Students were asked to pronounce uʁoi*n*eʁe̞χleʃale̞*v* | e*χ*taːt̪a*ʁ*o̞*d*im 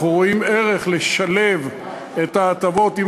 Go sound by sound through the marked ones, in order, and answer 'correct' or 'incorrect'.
incorrect, correct, incorrect, incorrect, incorrect

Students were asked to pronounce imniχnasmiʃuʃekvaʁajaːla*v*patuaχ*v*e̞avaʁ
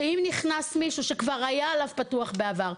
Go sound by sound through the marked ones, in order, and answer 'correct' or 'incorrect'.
correct, incorrect

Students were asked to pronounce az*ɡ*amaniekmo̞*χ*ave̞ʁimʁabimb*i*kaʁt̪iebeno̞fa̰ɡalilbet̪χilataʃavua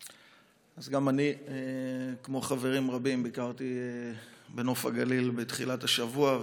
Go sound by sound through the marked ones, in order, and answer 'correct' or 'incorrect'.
correct, correct, correct

